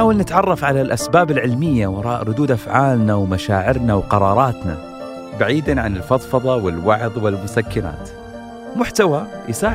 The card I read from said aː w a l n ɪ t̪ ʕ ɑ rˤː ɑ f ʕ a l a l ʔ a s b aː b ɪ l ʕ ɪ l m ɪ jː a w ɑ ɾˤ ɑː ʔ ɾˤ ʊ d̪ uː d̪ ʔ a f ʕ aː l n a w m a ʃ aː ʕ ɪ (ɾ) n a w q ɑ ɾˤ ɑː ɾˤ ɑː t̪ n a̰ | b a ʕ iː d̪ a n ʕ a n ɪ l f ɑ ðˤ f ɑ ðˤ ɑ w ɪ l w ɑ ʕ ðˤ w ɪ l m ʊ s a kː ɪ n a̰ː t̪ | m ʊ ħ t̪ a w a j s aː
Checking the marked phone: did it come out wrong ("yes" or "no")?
no